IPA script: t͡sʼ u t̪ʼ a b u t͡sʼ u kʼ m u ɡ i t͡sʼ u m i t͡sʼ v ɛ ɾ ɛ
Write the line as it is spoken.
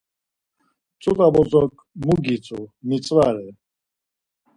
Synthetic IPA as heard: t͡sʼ u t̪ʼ a b ɔ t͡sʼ ɔ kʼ m u ɡ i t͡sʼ u m i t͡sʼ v a ɾ ɛ